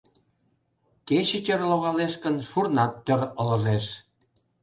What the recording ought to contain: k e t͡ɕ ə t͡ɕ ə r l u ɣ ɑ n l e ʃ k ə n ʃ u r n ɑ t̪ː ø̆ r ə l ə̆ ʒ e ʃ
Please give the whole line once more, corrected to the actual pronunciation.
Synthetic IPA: k e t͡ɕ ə t͡ɕ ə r l o ɣ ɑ l e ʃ k ə n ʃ u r n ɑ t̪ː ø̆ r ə l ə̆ ʒ e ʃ